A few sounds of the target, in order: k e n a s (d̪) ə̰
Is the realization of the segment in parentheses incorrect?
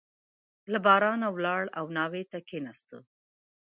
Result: yes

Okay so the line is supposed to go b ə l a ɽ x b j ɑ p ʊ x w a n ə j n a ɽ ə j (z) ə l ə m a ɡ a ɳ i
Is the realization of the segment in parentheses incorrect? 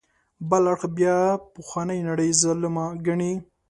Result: no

